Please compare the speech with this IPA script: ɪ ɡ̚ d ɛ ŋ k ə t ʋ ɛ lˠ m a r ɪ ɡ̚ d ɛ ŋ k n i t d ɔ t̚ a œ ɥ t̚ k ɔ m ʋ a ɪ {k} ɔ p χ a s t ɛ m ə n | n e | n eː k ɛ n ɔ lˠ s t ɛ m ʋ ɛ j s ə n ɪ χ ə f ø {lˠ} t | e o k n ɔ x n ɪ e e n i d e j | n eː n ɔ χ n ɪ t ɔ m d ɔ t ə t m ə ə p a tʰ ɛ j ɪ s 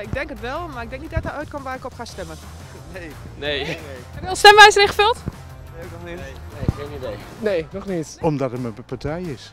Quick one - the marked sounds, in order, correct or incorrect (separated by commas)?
correct, correct